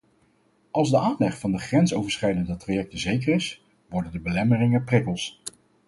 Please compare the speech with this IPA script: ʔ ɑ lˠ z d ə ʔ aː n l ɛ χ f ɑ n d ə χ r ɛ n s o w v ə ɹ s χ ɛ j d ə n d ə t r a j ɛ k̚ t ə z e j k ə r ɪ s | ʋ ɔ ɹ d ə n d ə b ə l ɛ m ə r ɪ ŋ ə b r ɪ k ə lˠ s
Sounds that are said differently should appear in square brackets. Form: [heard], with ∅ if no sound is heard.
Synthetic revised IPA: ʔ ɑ lˠ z d ə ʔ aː n l ɛ χ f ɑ n d ə χ r ɛ n s o w v ə ɹ s χ ɛ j d ə n d ə t r a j ɛ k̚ t ə z e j k ə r ɪ s | ʋ ɔ ɹ d ə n d ə b ə l ɛ m ə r ɪ ŋ ə [p] r ɪ k ə lˠ s